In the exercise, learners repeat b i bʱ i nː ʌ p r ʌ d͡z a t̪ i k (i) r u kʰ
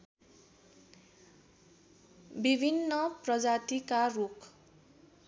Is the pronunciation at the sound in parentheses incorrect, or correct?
incorrect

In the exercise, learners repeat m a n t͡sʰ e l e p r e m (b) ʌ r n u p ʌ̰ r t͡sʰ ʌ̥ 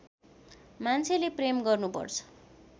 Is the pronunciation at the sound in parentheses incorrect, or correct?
incorrect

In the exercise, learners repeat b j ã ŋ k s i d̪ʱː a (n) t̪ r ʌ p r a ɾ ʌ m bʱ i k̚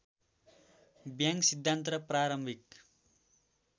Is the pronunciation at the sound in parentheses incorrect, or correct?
correct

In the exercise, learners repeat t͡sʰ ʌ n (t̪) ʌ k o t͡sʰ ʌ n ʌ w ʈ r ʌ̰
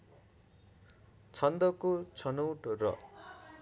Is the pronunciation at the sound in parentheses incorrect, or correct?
incorrect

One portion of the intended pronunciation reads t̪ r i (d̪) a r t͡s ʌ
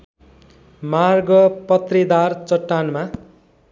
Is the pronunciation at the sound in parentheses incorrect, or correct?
correct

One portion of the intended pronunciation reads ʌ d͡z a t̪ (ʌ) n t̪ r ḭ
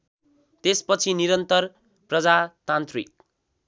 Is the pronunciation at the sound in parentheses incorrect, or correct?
incorrect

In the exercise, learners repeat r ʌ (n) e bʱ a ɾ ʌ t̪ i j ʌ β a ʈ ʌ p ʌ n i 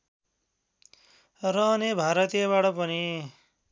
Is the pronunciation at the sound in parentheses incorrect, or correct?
correct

